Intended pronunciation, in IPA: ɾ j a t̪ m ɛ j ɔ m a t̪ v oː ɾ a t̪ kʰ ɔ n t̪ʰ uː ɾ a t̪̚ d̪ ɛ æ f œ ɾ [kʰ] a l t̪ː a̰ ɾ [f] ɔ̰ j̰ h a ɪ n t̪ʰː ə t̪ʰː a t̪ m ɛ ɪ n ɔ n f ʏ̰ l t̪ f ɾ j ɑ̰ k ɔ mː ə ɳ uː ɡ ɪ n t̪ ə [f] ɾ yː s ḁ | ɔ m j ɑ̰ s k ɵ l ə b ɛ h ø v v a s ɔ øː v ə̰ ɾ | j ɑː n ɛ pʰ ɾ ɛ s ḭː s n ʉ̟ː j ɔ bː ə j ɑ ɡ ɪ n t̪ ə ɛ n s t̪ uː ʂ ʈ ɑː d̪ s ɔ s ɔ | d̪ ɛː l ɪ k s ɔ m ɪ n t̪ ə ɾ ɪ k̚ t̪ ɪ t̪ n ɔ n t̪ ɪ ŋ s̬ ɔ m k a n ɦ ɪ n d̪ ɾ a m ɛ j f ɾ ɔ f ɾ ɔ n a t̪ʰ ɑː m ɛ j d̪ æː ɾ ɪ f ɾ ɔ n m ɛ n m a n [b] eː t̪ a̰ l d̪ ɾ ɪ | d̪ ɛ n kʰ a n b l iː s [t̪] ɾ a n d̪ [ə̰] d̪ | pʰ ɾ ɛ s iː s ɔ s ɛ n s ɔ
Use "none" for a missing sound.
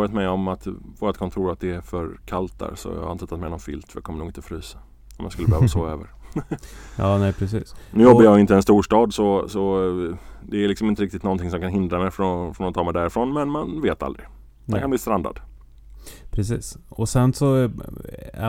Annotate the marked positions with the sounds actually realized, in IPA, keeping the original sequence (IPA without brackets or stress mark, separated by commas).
kʰ, s, f, v, t̪, a̰